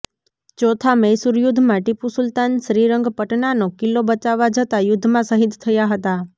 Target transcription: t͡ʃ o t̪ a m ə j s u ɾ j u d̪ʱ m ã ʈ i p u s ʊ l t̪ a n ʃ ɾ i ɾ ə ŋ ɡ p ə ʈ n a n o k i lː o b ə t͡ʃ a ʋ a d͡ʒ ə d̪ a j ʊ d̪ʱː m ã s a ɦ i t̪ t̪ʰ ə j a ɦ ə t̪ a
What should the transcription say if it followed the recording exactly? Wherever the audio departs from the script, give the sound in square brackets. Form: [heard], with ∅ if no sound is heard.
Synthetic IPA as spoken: t͡ʃ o [t̪ʰ] a m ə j s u ɾ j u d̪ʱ m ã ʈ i p u s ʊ l t̪ a n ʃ ɾ i ɾ ə ŋ ɡ p ə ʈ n a n o k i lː o b ə t͡ʃ a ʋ a d͡ʒ ə [t̪] a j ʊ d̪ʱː m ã s [ə] ɦ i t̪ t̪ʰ ə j a ɦ ə t̪ a